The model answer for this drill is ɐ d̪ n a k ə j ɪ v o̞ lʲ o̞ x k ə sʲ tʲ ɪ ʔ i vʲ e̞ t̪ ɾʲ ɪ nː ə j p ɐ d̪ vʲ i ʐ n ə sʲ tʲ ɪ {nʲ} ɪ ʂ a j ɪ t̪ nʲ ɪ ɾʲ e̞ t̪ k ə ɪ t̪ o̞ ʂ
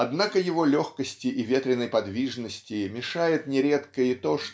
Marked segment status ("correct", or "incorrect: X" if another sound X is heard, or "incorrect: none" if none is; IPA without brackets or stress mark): incorrect: mʲ